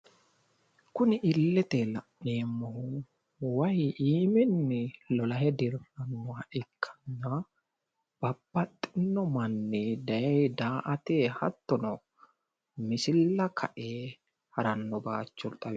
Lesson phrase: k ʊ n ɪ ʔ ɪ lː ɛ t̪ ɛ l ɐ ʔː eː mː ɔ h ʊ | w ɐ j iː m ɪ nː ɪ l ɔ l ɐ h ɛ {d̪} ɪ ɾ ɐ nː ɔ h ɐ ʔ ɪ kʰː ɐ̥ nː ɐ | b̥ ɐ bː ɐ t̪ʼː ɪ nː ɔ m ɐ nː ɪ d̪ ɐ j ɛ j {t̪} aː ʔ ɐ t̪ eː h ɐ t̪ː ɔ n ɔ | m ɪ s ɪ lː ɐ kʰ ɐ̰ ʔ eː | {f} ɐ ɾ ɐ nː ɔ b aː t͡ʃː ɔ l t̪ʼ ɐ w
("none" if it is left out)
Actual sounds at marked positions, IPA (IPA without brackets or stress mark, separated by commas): d̪, d̪, h